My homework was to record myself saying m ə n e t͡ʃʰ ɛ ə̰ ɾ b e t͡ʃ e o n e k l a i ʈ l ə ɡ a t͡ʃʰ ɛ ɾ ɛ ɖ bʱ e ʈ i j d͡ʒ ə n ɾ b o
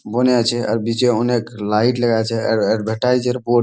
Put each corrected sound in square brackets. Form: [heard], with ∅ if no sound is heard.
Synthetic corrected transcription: [b] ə n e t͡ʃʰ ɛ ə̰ ɾ b [i] t͡ʃ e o n e k l a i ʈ l ə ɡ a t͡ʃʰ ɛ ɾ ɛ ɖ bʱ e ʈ [a] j d͡ʒ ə [∅] ɾ b o